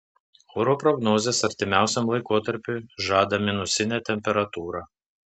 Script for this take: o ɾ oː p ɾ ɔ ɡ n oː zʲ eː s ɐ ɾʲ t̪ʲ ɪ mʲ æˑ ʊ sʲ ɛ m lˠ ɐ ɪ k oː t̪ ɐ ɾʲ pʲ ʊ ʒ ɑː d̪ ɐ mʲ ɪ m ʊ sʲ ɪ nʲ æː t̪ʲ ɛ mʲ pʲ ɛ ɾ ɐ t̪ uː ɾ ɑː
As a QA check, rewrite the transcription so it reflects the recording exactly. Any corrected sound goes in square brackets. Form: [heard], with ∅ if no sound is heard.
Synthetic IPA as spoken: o ɾ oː p ɾ ɔ ɡ n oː zʲ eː s ɐ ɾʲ t̪ʲ ɪ mʲ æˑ ʊ sʲ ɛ m lˠ ɐ ɪ k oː t̪ ɐ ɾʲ pʲ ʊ ʒ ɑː d̪ ɐ mʲ ɪ [n] ʊ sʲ ɪ nʲ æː t̪ʲ ɛ mʲ pʲ ɛ ɾ ɐ t̪ uː ɾ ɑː